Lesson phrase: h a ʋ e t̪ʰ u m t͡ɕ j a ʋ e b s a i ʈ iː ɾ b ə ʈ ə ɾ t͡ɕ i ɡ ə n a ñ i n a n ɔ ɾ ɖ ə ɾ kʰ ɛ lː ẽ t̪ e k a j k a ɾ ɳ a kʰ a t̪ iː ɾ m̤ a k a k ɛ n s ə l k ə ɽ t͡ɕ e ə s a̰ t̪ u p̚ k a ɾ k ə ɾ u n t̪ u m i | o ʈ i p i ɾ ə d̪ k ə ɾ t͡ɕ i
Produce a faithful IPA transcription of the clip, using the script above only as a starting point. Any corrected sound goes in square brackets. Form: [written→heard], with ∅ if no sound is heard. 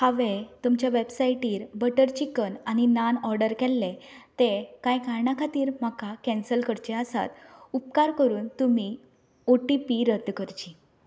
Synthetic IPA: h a ʋ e [t̪ʰ→t̪] u m t͡ɕ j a ʋ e b s a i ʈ iː ɾ b ə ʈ ə ɾ t͡ɕ i [ɡ→k] ə n a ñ i n a n ɔ ɾ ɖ ə ɾ [kʰ→k] ɛ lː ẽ t̪ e k a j k a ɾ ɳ a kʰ a t̪ iː ɾ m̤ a k a k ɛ n s ə l k ə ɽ t͡ɕ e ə s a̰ t̪ u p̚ k a ɾ k ə ɾ [u→uː] n t̪ u m i | o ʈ i p i ɾ ə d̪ k ə ɾ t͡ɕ i